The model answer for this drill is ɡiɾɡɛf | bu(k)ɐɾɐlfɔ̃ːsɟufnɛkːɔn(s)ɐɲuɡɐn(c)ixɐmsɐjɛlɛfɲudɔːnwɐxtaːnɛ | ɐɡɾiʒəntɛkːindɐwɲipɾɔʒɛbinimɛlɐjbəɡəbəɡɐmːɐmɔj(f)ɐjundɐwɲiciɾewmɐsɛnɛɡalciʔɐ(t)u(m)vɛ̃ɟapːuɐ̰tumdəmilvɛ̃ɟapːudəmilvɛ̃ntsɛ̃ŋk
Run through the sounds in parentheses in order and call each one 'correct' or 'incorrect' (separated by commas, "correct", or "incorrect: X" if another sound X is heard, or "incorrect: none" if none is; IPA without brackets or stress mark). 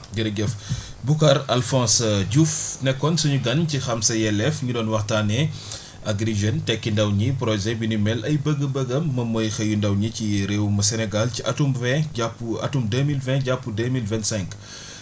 correct, correct, correct, incorrect: x, correct, correct